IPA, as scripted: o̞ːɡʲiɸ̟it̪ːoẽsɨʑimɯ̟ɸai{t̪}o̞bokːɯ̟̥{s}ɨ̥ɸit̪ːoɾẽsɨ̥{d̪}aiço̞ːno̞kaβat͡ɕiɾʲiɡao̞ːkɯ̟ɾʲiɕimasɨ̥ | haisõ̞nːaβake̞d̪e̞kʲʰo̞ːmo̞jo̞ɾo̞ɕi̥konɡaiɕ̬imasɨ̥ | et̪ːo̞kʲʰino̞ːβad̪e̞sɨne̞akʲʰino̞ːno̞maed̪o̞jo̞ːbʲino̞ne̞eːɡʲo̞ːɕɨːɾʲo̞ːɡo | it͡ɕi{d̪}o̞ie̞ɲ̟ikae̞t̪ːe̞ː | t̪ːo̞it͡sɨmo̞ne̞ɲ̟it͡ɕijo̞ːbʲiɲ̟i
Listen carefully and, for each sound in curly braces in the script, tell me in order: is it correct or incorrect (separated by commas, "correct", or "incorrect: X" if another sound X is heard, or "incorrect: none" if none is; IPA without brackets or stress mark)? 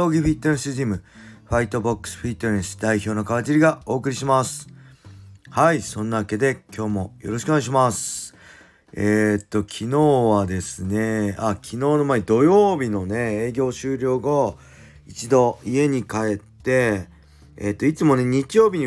correct, correct, correct, correct